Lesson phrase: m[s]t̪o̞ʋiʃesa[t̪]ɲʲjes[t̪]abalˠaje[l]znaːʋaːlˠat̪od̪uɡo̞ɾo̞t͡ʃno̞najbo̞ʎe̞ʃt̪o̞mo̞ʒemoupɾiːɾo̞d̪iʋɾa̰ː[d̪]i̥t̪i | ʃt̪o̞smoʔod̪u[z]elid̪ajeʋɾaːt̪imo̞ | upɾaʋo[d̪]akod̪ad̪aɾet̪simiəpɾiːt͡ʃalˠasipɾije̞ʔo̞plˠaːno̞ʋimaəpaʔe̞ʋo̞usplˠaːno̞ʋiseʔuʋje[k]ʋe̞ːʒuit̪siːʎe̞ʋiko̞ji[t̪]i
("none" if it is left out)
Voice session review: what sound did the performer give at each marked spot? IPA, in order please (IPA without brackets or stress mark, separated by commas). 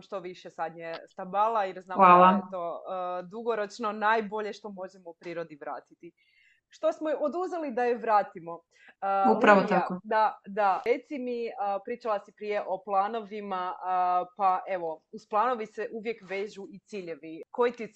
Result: ʃ, d̪, t̪, ɾ, t̪, z, t̪, k, t̪